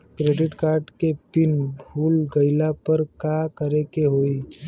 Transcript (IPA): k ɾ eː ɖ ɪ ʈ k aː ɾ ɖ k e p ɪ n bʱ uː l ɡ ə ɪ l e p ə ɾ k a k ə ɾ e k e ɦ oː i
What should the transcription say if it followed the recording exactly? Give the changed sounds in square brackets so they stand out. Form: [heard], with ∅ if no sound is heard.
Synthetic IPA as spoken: k ɾ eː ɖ ɪ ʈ k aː ɾ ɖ k e p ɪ n bʱ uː l ɡ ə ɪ l [a] p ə ɾ k a k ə ɾ e k e ɦ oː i